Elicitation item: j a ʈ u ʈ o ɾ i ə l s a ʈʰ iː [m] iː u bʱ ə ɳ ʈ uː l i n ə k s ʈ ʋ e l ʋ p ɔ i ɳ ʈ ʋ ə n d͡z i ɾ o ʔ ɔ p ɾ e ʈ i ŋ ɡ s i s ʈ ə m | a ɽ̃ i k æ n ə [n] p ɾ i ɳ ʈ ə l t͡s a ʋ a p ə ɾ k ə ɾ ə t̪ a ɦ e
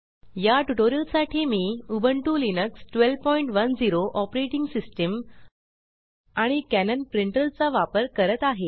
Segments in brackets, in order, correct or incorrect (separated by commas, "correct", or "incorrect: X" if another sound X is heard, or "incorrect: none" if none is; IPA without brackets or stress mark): correct, correct